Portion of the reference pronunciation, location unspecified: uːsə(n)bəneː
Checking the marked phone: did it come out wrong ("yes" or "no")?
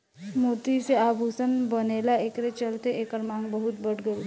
no